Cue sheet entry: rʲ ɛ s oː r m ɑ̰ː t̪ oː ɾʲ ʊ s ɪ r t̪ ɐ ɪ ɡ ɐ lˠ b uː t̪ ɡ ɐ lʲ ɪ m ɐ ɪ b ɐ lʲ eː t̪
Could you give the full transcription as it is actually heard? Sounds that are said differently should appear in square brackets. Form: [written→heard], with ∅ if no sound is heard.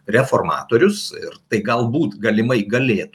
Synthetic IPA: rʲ ɛ [s→f] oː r m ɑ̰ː t̪ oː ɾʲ ʊ s ɪ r t̪ ɐ ɪ ɡ ɐ lˠ b uː t̪ ɡ ɐ lʲ ɪ m ɐ ɪ [b→ɡ] ɐ lʲ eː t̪